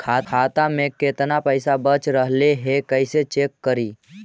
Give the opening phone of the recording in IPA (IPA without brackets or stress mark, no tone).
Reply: kʰ